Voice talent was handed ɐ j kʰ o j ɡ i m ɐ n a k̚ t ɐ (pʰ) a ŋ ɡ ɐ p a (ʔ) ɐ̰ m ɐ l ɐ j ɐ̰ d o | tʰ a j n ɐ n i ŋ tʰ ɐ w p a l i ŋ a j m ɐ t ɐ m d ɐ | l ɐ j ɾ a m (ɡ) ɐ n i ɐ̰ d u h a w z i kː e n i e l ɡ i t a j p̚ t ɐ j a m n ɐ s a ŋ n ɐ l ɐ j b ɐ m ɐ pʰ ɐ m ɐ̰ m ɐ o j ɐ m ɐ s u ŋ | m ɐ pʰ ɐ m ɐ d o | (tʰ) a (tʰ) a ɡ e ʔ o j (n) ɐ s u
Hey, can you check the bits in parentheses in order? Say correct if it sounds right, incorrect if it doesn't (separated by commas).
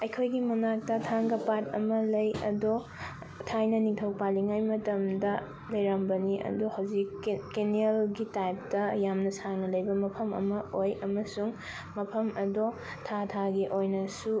incorrect, incorrect, incorrect, correct, correct, correct